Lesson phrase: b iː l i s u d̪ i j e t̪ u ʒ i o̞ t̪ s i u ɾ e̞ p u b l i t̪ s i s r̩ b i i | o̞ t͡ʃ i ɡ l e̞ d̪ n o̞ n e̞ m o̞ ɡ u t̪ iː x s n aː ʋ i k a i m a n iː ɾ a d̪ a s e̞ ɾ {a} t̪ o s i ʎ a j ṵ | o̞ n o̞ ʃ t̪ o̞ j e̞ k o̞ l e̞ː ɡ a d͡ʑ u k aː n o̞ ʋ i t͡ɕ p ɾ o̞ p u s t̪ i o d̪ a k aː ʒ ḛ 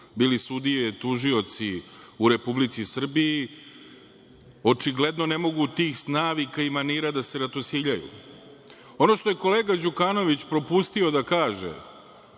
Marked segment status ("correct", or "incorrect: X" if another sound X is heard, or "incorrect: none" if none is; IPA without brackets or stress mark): correct